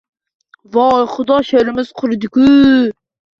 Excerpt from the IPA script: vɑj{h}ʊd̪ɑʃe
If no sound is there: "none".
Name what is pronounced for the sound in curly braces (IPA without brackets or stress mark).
χ